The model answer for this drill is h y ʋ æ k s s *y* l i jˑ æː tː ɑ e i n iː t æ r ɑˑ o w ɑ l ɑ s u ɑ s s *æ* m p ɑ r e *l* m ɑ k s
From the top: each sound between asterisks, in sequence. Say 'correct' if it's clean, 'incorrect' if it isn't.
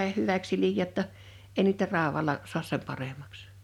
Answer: incorrect: i, incorrect: e, incorrect: none

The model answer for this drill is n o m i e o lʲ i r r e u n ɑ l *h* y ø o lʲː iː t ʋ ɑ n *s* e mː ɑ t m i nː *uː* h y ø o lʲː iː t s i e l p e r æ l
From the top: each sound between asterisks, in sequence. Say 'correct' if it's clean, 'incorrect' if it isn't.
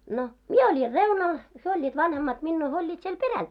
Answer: correct, incorrect: h, correct

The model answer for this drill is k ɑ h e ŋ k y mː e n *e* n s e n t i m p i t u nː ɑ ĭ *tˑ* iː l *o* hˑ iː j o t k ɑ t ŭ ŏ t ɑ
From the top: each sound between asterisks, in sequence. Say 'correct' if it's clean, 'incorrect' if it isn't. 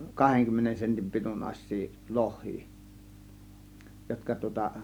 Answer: correct, incorrect: sˑ, correct

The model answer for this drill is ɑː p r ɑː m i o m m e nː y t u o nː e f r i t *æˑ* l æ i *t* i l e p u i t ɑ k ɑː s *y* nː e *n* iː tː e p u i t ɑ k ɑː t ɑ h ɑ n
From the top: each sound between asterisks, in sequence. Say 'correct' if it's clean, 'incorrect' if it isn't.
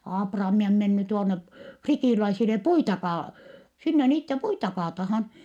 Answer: incorrect: iˑ, incorrect: s, incorrect: i, correct

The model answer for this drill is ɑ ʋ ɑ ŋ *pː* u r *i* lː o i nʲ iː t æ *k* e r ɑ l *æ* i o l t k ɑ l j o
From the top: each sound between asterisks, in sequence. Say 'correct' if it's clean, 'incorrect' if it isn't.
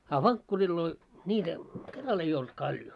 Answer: incorrect: kː, correct, correct, incorrect: e

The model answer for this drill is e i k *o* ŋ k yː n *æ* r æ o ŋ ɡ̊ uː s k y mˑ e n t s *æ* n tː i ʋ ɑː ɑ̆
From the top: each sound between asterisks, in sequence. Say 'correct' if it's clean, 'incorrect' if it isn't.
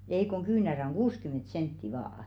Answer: correct, correct, incorrect: e

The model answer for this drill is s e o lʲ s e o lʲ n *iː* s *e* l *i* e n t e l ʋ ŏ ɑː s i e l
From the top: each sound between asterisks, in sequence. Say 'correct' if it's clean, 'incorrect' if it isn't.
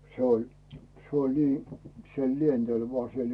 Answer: correct, correct, correct

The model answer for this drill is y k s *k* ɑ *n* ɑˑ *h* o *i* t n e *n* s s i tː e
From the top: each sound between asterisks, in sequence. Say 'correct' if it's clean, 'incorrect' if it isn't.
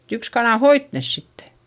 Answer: correct, correct, correct, correct, incorrect: none

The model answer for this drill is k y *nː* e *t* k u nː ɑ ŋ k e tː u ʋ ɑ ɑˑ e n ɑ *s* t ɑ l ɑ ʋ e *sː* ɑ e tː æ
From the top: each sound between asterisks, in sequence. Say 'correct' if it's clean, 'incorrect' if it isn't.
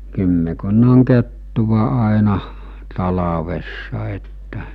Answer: incorrect: mː, incorrect: none, incorrect: h, correct

